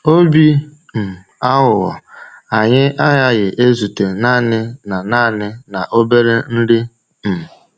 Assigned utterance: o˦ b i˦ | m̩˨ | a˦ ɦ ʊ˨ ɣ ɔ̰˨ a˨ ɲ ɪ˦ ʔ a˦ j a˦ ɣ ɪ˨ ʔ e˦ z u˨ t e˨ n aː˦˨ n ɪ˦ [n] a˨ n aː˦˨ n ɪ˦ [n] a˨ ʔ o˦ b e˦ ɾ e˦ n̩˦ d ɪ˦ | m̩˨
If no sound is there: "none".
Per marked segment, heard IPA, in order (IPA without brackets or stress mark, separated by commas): n, n